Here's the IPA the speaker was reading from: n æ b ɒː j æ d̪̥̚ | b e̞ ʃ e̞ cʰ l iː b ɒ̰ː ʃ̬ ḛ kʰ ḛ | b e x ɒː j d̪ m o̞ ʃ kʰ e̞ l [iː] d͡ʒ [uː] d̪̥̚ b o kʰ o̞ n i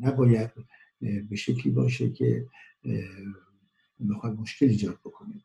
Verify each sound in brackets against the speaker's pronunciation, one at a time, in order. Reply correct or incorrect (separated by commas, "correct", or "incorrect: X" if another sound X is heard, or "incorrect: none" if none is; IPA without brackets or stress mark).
correct, incorrect: ɒː